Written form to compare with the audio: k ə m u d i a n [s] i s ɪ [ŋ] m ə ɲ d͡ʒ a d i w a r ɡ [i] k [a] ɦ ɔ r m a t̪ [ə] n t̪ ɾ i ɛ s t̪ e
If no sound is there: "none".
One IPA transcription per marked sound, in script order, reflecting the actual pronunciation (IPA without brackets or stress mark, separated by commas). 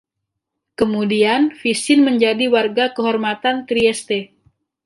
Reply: f, n, a, ə, a